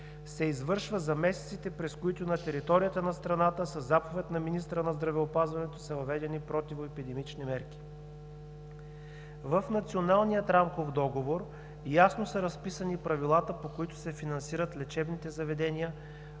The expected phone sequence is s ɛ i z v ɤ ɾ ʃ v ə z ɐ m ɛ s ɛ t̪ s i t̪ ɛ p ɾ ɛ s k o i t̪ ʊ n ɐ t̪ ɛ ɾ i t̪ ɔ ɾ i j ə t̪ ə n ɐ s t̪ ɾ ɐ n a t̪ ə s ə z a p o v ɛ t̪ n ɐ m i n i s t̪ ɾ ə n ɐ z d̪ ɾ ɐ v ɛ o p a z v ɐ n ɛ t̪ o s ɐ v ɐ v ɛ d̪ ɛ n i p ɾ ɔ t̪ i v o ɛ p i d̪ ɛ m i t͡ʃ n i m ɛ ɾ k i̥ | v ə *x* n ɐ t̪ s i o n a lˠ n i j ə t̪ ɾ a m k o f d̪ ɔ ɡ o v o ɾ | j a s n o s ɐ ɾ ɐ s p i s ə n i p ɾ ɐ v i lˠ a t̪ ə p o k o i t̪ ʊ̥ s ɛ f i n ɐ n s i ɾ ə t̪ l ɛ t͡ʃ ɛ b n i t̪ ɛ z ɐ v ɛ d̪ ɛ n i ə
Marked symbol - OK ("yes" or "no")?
no